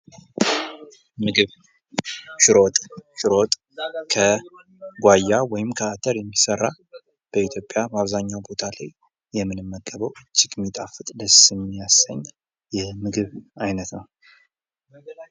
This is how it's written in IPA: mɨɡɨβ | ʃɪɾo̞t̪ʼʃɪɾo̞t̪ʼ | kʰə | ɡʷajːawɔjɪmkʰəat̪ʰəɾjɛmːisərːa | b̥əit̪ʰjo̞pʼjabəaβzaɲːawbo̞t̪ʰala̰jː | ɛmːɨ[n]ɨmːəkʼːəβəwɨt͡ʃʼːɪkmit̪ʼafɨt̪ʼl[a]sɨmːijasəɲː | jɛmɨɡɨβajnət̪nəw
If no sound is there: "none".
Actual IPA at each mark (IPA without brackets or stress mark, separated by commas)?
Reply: n, ə